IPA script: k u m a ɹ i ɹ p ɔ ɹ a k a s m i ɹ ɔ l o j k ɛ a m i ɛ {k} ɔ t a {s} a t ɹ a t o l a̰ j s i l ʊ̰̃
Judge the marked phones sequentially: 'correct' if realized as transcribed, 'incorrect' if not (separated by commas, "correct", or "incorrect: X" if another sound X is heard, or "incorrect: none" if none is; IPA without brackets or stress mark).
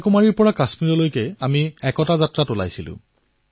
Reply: correct, incorrect: z